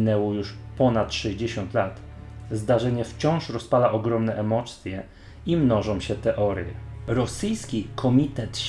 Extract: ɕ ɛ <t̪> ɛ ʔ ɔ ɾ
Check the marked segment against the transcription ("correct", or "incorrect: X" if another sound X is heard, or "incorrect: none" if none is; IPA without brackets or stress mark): correct